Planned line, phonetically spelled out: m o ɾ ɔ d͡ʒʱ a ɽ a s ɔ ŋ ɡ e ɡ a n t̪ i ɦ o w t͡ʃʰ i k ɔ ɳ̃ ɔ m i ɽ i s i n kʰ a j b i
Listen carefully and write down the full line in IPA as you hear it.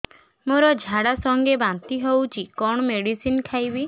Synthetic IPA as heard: m o ɾ ɔ d͡ʒʱ a ɽ a s ɔ ŋ ɡ e b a n t̪ i ɦ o w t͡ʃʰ i k ɔ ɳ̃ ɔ m e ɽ i s i n kʰ a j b i